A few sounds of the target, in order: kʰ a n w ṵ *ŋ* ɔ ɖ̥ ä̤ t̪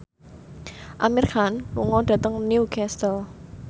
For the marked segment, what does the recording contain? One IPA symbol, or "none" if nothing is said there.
ŋ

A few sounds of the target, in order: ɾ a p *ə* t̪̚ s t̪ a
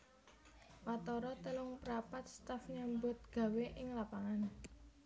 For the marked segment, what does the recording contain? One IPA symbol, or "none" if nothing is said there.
a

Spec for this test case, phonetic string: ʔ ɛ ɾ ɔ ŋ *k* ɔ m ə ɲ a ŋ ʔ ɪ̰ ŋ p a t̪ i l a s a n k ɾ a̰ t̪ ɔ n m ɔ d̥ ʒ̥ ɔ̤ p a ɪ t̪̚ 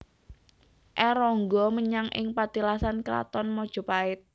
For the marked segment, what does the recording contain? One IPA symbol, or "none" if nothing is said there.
ɡ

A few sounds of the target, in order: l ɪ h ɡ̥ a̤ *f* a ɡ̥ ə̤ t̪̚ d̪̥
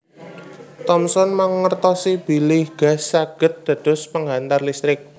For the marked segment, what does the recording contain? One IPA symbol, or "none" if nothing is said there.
s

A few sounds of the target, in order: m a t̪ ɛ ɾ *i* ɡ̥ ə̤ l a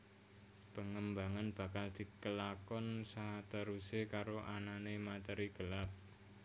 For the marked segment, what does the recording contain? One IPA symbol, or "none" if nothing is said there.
i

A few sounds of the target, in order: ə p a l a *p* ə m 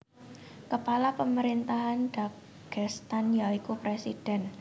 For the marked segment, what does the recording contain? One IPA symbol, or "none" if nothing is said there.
p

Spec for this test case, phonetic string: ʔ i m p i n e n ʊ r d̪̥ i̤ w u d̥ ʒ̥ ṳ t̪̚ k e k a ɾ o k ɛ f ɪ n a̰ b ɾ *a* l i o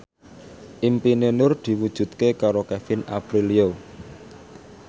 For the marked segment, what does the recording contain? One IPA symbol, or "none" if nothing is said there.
i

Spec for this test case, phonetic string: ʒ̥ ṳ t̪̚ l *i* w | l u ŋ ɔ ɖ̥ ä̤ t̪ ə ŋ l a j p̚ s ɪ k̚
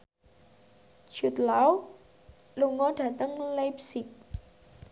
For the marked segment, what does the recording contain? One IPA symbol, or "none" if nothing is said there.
a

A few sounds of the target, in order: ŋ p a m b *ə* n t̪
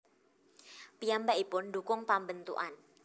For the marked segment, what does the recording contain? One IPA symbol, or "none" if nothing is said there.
ə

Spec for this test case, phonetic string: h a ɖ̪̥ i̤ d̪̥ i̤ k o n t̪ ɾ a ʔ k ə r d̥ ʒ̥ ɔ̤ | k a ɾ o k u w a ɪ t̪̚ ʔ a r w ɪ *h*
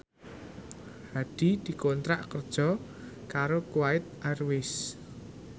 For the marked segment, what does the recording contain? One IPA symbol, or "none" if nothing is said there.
s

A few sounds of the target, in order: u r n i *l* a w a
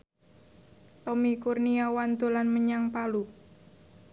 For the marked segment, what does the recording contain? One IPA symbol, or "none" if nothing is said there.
none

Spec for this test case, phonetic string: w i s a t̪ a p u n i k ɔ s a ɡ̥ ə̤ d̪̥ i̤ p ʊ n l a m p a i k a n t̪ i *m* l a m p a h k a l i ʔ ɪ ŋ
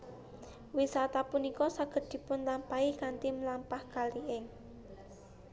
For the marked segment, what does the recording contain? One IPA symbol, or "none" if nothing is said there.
m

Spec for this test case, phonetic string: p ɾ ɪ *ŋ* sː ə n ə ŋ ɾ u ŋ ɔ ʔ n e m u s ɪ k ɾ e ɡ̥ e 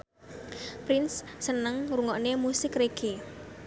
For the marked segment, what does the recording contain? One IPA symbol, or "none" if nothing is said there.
n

